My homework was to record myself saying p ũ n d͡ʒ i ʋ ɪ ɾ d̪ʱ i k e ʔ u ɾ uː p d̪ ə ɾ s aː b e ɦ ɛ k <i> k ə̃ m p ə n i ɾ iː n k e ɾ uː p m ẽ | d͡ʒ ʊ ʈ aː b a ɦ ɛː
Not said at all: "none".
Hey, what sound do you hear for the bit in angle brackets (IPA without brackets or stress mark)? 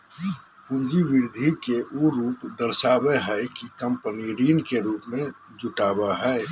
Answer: i